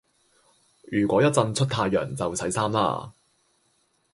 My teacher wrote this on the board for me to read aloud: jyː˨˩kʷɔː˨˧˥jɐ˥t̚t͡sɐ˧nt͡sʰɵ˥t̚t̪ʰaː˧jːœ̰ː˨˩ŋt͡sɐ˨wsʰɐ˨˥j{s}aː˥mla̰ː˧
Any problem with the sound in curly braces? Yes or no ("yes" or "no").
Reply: no